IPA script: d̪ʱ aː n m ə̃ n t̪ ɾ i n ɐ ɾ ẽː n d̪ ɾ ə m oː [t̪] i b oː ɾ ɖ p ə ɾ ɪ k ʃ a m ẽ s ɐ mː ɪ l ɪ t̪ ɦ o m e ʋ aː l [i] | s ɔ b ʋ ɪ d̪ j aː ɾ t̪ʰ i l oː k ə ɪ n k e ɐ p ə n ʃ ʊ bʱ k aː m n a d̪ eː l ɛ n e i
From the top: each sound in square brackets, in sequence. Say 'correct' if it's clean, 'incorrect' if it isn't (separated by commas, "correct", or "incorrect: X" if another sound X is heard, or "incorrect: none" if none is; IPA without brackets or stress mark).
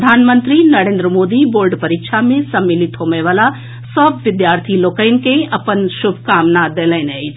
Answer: incorrect: d̪, incorrect: a